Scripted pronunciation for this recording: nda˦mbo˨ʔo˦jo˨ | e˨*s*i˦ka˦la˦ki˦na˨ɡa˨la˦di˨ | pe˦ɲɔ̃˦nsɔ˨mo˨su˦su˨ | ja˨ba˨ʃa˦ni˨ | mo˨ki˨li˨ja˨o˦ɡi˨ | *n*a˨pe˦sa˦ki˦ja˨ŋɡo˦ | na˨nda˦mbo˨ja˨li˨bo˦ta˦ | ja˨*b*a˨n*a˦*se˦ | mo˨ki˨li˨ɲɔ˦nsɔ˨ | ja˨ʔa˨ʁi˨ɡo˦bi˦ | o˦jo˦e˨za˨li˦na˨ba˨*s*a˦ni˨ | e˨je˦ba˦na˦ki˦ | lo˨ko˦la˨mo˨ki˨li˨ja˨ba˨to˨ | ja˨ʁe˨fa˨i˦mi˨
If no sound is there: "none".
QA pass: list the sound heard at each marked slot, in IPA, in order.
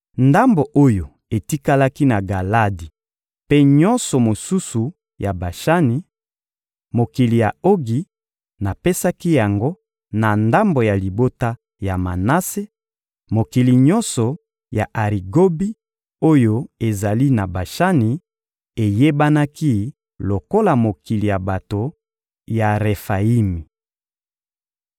t, n, m, a˦, ʃ

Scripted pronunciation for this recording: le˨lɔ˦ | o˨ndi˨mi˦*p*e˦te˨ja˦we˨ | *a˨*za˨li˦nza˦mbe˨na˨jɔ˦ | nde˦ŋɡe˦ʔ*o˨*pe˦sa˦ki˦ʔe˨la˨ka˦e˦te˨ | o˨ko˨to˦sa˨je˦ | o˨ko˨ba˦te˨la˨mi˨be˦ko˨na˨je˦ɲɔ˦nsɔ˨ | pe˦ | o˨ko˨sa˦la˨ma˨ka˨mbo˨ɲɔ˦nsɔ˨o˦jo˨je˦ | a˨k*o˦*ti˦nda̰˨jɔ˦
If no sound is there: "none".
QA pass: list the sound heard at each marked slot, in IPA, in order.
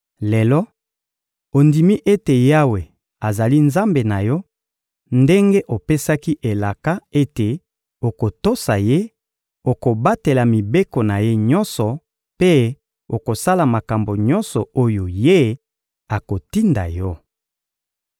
ʔ, a˨, o˨, o˨

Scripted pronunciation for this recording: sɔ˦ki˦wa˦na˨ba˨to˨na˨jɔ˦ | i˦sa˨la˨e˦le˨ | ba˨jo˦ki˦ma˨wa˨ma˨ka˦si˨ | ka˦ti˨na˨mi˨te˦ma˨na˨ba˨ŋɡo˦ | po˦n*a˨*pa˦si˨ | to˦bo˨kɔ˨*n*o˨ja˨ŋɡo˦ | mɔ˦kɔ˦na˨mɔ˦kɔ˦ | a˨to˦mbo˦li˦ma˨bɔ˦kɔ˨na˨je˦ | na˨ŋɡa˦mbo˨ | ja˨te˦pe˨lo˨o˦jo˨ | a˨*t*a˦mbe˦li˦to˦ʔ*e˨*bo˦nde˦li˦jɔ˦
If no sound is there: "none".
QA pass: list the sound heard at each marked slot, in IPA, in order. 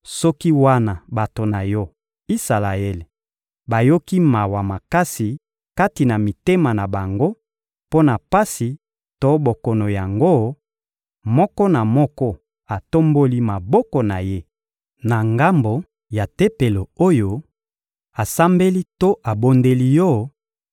a˨, n, s, a˨

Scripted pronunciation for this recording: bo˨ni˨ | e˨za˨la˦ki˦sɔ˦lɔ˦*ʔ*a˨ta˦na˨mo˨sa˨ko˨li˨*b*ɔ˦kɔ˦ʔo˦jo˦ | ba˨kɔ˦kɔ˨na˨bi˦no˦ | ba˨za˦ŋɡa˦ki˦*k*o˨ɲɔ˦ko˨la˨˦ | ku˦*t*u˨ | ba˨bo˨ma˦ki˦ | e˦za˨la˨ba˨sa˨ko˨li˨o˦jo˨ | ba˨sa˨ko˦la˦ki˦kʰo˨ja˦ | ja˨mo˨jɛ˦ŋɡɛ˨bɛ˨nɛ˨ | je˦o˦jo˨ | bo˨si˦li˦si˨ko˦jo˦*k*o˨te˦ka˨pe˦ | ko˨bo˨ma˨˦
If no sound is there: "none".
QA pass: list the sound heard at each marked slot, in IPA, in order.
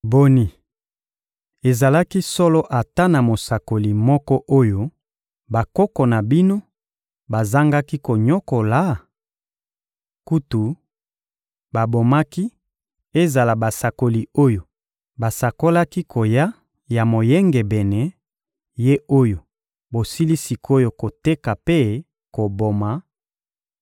ʔ, m, k, t, k

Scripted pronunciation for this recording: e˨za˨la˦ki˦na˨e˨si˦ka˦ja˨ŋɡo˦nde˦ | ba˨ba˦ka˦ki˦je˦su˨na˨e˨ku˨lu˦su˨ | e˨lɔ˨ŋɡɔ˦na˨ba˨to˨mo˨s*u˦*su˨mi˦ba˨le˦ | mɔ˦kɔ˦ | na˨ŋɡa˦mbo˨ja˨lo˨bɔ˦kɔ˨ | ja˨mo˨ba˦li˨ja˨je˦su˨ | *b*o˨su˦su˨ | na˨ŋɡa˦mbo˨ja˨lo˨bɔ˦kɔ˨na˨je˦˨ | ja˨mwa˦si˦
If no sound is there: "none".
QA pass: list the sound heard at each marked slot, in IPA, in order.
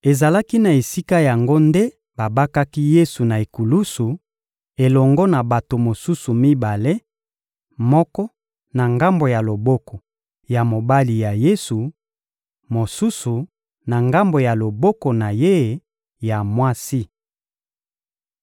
u˦, m

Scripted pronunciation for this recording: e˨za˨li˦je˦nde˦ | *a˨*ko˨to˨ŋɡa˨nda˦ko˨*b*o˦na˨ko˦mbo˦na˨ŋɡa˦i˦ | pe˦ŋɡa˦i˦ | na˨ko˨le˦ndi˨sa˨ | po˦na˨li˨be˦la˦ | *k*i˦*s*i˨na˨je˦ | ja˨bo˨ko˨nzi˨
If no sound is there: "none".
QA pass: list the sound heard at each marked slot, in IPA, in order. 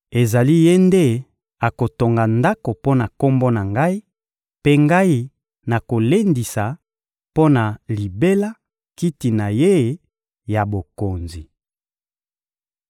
a˨, p, k, t

